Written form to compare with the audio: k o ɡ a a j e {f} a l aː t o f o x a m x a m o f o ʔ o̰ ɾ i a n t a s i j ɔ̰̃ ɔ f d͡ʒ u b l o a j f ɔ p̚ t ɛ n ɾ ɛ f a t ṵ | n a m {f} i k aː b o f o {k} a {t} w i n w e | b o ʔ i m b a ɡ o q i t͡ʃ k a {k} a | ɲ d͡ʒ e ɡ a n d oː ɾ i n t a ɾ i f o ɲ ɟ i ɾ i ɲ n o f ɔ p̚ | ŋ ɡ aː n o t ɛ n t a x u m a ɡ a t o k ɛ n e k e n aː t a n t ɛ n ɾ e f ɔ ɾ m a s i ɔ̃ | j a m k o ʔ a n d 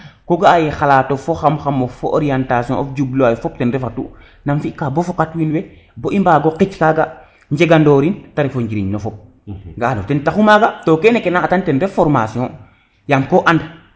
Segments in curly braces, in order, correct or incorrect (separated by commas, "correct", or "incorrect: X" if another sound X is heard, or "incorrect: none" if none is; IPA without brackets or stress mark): incorrect: x, correct, correct, correct, incorrect: ɡ